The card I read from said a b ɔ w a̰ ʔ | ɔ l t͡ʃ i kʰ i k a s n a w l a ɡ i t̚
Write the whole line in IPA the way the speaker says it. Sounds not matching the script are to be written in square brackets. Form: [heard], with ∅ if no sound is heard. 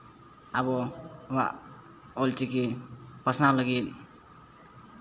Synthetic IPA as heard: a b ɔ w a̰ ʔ | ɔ l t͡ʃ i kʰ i [p] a s n a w l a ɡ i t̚